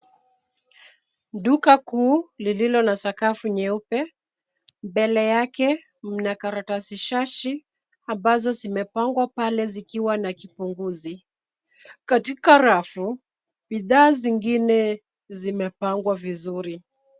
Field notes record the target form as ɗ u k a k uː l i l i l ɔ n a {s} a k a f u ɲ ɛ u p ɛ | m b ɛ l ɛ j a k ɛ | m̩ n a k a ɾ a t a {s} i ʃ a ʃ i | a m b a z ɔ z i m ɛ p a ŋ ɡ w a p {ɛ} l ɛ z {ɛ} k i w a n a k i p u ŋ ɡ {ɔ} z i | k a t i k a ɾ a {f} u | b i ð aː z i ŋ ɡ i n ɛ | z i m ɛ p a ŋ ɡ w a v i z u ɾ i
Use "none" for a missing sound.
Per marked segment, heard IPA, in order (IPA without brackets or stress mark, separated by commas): s, s, a, i, u, f